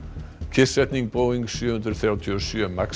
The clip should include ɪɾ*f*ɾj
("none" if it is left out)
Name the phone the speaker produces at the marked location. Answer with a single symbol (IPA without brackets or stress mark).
θ